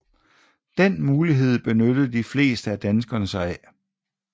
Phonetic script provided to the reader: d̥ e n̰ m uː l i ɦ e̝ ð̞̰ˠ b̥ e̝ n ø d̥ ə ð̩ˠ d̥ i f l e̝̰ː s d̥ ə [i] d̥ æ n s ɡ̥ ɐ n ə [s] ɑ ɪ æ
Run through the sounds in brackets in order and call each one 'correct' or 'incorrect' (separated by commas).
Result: incorrect, correct